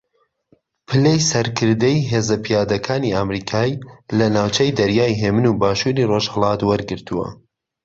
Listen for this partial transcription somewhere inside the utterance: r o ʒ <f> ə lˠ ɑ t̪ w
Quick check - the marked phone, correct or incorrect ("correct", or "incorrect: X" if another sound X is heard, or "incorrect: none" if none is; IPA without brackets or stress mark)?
incorrect: h